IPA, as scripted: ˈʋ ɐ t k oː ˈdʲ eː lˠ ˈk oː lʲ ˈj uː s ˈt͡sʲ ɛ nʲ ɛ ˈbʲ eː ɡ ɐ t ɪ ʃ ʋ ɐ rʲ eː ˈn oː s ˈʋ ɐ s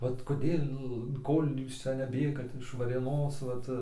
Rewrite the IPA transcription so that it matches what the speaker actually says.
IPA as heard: ˈʋ ɐ t k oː ˈdʲ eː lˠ ˈk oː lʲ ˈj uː s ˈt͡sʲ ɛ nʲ ɛ ˈbʲ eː ɡ ɐ t ɪ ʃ ʋ ɐ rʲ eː ˈn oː s ˈʋ ɐ t